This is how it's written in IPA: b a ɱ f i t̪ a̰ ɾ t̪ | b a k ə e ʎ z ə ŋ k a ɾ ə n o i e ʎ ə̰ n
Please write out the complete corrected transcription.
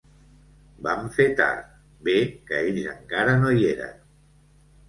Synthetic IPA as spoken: b a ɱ f e t̪ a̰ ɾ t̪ | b e k ə e ʎ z ə ŋ k a ɾ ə n o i e ɾ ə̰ n

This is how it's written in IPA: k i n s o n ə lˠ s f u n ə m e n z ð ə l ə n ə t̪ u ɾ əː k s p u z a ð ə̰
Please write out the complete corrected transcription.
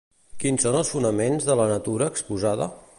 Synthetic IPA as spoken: k i n s o n ə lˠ s f u n ə m e n z ð ə l ə n ə t̪ u ɾ əː k s p u z a ð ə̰

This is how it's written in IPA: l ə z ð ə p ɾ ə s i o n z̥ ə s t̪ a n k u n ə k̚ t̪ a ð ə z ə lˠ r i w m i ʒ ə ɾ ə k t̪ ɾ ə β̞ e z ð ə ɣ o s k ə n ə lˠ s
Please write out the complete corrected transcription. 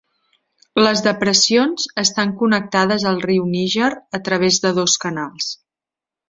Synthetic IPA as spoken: l ə z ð ə p ɾ ə s i o n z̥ ə s t̪ a ŋ k u n ə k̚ t̪ a ð ə z ə lˠ r i w n i ʒ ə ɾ ə t̪ ɾ ə β̞ e z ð ə ð o s k ə n a lˠ s

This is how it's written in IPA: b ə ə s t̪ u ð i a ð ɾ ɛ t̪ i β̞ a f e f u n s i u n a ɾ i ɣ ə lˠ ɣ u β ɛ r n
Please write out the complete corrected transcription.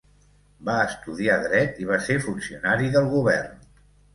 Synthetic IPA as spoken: b a ə s t̪ u ð i a ð ɾ ɛ t̪ i β̞ a s e f u n s i u n a ɾ i ð ə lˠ ɣ u β ɛ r n

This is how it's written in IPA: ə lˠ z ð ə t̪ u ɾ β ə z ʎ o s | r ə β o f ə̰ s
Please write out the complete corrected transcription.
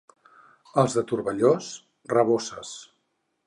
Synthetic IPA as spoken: ə lˠ z ð ə t̪ u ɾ β ə ʎ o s | r ə β o s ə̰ s

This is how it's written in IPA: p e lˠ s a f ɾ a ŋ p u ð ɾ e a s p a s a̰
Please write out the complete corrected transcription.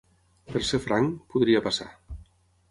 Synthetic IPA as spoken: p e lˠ s e f ɾ a ŋ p u ð ɾ i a p a s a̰

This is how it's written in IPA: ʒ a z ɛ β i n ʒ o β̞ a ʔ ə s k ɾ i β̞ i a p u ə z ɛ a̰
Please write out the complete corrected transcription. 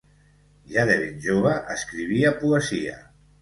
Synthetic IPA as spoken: ʒ a ð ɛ β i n ʒ o β̞ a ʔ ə s k ɾ i β̞ i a p u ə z i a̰

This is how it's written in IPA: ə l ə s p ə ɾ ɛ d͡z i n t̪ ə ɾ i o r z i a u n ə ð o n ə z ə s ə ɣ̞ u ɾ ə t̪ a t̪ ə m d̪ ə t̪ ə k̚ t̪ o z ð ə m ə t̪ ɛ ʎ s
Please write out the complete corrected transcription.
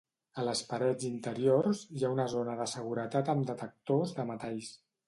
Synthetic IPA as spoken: ə l ə s p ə ɾ ɛ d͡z i n t̪ ə ɾ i o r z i a u n ə z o n ə ð ə s ə ɣ̞ u ɾ ə t̪ a t̪ ə m d̪ ə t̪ ə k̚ t̪ o z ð ə m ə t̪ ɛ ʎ s

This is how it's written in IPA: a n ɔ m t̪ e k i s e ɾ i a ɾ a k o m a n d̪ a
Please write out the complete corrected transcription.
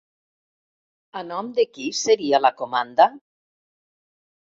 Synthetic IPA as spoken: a n ɔ m d̪ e k i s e ɾ i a l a k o m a n d̪ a

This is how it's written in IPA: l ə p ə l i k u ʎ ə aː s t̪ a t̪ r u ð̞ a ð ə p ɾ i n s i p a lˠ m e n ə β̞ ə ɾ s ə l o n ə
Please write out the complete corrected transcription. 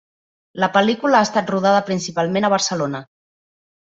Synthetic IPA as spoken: l ə p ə l i k u l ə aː s t̪ a t̪ r u ð̞ a ð ə p ɾ i n s i p a lˠ m e n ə β̞ ə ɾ s ə l o n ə

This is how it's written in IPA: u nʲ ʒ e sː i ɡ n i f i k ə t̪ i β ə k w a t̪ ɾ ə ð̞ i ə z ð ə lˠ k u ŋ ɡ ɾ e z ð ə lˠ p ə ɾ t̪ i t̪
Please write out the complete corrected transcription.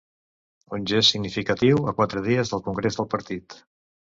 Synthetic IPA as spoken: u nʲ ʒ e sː i ɡ n i f i k ə t̪ i w ə k w a t̪ ɾ ə ð̞ i ə z ð ə lˠ k u ŋ ɡ ɾ e z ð ə lˠ p ə ɾ t̪ i t̪

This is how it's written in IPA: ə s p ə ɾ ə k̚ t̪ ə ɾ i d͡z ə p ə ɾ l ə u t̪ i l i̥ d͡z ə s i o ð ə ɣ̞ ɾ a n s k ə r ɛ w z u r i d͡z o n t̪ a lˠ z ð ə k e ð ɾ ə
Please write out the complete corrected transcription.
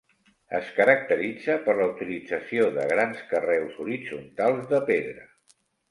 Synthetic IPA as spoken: ə s k ə ɾ ə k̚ t̪ ə ɾ i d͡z ə p ə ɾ l ə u t̪ i l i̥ d͡z ə s i o ð ə ɣ̞ ɾ a n s k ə r ɛ w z u ɾ i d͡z u n t̪ a lˠ z ð ə p e ð ɾ ə

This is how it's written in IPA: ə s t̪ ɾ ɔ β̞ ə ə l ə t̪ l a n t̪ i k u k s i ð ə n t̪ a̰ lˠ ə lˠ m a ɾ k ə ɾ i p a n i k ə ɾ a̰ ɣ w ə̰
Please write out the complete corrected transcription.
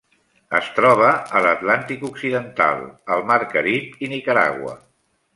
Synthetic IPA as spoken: ə s t̪ ɾ ɔ β̞ ə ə l ə t̪ l a n t̪ i k u k s i ð ə n t̪ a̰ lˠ ə lˠ m a ɾ k ə ɾ i p i n i k ə ɾ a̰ ɣ w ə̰

